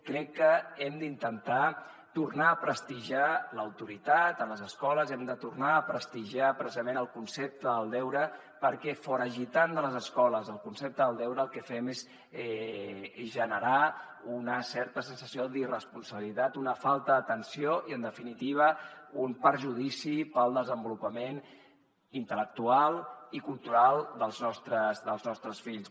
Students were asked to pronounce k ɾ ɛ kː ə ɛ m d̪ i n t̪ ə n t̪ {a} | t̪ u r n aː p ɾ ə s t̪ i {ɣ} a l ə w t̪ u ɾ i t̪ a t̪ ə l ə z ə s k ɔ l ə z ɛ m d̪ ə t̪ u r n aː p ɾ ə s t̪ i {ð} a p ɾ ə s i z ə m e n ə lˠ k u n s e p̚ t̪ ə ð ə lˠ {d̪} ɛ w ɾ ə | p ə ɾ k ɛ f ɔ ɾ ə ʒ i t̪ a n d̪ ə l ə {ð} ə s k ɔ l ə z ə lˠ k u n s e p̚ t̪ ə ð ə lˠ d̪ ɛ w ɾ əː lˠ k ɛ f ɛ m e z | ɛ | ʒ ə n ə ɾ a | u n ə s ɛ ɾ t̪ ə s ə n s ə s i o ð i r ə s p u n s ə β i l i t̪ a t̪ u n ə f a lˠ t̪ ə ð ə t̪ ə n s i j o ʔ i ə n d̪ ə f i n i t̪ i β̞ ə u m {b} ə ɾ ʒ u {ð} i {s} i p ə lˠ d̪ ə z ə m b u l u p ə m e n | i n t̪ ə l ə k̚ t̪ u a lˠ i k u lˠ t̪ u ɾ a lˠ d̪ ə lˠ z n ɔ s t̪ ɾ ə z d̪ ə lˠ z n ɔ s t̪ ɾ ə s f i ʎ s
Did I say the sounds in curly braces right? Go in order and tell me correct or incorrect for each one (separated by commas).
correct, incorrect, incorrect, correct, incorrect, incorrect, correct, correct